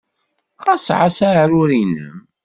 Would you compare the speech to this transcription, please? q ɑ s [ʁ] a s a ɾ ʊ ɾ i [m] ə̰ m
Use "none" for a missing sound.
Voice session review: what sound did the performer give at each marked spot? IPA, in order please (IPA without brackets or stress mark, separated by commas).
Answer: ʕ, n